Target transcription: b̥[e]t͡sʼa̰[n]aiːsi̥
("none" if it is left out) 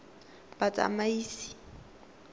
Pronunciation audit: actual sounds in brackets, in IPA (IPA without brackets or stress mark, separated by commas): a, m